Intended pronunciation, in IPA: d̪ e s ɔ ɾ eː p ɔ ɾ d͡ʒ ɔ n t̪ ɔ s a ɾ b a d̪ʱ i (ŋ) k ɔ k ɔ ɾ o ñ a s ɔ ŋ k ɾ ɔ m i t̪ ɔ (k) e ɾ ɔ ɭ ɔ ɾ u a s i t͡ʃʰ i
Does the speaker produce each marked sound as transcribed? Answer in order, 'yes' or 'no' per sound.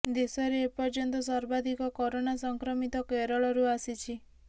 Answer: no, yes

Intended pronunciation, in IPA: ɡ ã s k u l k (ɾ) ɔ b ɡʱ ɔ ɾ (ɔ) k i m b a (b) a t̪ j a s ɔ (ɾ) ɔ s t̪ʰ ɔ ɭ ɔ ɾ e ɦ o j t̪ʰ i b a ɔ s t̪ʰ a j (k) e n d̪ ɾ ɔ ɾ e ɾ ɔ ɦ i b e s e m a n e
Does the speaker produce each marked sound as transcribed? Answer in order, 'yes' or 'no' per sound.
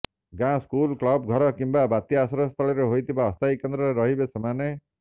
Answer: no, yes, yes, yes, yes

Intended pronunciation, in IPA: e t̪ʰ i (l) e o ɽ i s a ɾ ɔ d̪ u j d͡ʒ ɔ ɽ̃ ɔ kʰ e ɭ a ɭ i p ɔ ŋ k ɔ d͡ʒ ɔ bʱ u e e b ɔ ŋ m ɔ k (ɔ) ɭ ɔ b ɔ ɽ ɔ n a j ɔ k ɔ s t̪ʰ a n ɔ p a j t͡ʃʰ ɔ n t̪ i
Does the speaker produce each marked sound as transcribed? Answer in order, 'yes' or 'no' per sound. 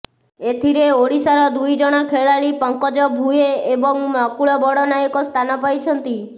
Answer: no, no

